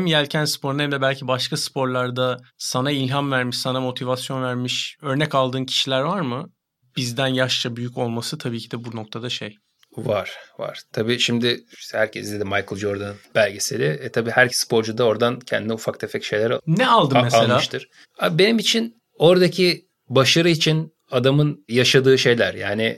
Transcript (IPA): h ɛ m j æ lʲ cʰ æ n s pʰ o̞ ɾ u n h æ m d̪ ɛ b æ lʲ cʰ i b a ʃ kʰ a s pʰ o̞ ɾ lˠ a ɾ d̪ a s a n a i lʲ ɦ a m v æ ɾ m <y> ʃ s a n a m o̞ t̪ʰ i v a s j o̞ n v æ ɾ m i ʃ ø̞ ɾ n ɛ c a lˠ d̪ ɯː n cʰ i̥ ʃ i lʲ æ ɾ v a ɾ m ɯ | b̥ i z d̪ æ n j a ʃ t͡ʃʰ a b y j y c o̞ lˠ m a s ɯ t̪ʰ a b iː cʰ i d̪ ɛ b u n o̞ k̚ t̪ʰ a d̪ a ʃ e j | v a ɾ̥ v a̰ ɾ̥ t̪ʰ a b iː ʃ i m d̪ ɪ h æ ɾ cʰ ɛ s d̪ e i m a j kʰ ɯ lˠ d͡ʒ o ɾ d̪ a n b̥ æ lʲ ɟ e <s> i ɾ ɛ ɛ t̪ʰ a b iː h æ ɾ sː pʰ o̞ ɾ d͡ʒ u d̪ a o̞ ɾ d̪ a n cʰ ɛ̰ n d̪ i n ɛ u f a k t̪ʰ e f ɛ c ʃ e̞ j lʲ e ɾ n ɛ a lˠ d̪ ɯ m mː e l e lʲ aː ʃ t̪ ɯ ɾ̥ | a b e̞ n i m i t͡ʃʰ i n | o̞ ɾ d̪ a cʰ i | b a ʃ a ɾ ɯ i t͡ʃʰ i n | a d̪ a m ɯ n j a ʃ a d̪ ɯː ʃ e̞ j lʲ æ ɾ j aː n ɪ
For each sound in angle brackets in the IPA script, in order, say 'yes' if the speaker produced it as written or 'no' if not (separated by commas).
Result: no, yes